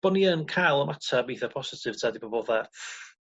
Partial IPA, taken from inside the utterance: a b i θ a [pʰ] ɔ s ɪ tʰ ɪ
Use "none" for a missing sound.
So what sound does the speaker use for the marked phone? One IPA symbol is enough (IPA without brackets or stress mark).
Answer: pʰ